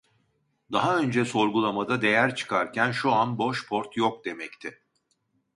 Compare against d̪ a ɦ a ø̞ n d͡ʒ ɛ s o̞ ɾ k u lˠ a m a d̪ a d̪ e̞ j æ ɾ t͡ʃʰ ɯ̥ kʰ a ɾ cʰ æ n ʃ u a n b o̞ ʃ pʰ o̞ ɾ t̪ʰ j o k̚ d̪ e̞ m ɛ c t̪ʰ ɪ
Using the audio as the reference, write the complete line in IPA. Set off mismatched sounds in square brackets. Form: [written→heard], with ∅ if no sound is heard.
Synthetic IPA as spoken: d̪ a ɦ a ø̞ n d͡ʒ ɛ s o̞ ɾ [k→ɡ] u lˠ a m a d̪ a d̪ e̞ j æ ɾ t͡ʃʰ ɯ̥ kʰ a ɾ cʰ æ n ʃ u a n b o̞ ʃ pʰ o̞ ɾ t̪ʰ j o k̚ d̪ e̞ m ɛ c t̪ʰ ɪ